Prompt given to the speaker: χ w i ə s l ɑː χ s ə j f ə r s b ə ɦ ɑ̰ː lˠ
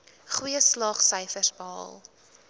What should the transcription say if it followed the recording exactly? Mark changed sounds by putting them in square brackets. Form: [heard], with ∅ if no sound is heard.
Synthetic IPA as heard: χ w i ə s l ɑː χ s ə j f ə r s b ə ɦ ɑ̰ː lˠ